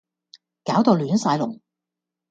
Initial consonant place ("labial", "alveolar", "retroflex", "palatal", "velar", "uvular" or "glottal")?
velar